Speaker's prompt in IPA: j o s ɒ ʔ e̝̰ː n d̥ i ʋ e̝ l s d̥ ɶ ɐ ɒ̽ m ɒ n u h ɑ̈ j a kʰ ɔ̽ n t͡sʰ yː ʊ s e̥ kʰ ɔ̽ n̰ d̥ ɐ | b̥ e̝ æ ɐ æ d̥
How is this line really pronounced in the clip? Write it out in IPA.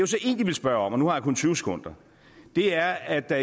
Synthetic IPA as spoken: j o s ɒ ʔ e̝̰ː n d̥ i ʋ e̝ l s b̥ ɶ ɐ ɒ̽ m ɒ n u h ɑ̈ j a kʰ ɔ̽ n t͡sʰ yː ʊ s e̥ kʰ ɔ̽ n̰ d̥ ɐ | d̥ e̝ æ ɐ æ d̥